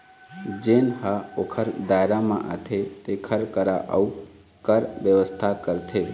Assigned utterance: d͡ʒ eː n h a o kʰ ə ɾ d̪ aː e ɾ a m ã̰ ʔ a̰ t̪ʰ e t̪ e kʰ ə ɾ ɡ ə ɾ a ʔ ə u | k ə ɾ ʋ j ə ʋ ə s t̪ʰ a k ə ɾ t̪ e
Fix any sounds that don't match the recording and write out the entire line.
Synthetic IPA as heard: d͡ʒ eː n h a o kʰ ə ɾ d̪ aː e ɾ a m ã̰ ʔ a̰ t̪ʰ e t̪ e kʰ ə ɾ k ə ɾ a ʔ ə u | k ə ɾ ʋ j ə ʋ ə s t̪ʰ a k ə ɾ t̪ʰ e